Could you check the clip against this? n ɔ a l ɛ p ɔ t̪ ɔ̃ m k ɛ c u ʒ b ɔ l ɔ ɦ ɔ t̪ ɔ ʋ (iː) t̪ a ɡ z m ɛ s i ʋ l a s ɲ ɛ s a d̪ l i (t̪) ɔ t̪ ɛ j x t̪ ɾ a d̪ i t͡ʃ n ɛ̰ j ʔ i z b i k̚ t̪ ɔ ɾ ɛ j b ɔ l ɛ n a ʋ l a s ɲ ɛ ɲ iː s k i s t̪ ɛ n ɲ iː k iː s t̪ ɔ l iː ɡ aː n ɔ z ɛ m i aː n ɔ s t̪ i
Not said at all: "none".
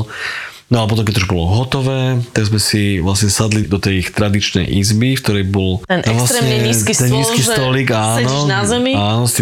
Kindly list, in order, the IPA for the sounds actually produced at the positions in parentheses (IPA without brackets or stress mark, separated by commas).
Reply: ɛː, d̪